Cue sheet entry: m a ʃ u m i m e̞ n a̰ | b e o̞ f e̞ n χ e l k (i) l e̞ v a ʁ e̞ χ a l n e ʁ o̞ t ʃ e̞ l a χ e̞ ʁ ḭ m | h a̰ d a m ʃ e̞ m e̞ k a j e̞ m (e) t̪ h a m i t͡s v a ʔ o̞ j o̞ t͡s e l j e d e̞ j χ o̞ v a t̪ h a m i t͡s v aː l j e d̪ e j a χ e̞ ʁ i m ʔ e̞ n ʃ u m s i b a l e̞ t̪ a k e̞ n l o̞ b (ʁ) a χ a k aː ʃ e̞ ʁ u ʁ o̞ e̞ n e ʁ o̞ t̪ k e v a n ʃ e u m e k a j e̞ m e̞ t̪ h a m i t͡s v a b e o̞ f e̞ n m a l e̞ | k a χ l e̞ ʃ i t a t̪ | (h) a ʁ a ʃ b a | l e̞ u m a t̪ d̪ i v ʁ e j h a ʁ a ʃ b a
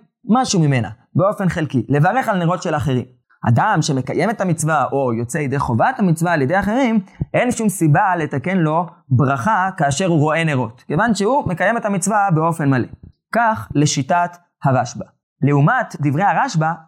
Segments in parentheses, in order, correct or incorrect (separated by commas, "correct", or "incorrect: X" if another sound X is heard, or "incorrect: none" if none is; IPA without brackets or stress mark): correct, correct, correct, correct